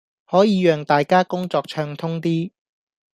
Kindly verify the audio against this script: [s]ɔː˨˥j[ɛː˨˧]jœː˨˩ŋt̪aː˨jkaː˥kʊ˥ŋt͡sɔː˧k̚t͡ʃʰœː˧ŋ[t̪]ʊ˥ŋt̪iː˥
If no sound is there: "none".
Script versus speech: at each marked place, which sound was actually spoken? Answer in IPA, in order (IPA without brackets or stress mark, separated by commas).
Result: h, iː˨˧, t̪ʰ